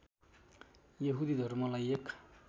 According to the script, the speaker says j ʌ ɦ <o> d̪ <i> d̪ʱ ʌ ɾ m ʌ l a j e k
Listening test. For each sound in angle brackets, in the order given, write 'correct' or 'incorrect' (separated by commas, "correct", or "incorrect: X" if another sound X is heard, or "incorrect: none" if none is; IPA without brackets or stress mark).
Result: incorrect: u, correct